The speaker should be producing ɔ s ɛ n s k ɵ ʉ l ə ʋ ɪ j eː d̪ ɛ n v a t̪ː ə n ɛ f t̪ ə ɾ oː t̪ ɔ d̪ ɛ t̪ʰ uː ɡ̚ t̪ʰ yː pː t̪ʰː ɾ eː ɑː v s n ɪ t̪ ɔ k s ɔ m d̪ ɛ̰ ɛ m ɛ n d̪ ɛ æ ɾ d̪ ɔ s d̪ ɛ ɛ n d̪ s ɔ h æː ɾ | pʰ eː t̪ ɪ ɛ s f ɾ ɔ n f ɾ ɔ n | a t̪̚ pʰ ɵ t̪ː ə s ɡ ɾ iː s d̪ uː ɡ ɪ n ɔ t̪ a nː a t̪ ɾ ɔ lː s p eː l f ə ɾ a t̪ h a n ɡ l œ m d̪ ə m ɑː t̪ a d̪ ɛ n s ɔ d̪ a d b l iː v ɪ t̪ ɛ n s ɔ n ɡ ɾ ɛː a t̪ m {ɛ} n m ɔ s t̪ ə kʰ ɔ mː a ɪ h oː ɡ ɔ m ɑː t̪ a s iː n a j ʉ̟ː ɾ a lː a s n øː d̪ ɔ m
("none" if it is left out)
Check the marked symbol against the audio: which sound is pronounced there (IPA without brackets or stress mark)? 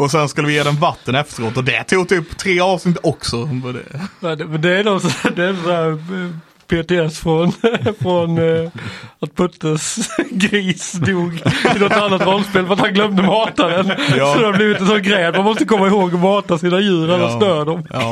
a